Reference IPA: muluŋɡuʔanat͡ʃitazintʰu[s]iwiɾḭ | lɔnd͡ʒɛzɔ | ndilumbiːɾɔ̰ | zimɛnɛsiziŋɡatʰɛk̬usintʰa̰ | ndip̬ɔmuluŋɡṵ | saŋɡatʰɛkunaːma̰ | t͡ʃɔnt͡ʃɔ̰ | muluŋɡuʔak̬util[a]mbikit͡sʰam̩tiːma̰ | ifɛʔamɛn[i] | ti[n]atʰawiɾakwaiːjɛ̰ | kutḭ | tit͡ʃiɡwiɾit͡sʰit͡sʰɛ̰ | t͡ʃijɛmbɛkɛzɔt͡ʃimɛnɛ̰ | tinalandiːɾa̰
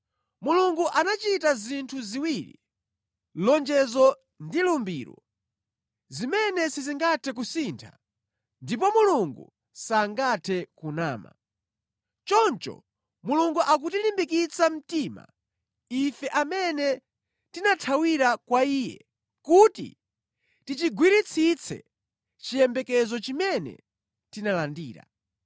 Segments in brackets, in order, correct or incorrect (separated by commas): incorrect, incorrect, incorrect, correct